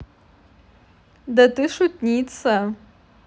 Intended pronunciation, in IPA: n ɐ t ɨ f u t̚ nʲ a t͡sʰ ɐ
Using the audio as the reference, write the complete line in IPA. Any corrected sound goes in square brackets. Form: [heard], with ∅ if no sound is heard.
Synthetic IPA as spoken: [d] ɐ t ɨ [ʂ] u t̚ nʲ [i] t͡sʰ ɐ